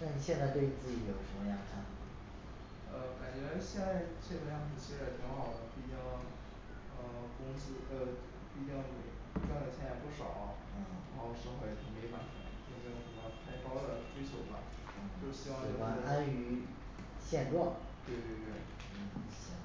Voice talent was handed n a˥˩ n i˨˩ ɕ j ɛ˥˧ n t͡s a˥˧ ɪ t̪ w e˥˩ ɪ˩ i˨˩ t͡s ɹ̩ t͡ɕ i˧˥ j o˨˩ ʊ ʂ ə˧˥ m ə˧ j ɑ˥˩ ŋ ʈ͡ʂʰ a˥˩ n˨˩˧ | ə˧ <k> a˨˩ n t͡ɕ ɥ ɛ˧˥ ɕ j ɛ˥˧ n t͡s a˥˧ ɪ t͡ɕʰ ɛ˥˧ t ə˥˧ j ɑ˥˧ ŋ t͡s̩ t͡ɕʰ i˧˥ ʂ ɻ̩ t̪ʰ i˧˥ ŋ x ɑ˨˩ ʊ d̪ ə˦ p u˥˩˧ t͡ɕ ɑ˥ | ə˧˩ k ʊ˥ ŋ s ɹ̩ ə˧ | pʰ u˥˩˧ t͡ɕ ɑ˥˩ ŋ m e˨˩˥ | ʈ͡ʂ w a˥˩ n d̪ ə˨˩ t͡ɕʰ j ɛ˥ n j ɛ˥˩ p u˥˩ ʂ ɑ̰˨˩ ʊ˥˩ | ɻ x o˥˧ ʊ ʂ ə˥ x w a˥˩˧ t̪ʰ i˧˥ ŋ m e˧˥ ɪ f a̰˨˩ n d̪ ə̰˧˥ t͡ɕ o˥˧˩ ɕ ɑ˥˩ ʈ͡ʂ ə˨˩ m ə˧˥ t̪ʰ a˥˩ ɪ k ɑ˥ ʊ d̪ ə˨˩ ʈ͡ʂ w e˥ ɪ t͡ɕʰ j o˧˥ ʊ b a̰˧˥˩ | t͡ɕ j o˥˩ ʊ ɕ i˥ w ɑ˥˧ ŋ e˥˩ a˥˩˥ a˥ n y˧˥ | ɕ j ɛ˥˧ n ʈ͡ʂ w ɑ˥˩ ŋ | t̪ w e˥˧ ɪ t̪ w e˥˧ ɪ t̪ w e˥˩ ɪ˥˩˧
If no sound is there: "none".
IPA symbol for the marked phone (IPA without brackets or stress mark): k